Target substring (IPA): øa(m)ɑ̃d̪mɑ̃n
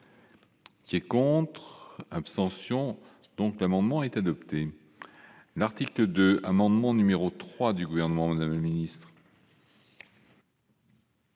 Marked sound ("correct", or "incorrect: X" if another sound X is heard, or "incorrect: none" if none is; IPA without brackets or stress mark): correct